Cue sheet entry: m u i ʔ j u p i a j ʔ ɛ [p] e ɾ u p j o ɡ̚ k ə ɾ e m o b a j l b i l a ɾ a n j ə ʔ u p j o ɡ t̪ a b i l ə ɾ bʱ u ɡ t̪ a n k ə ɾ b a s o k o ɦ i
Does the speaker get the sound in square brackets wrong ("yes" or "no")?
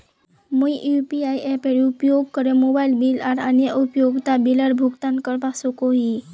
no